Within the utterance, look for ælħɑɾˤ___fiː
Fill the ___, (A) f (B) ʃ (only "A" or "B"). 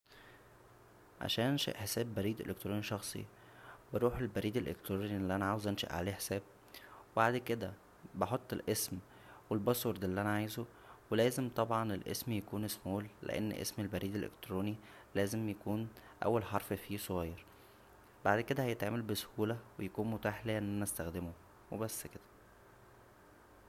A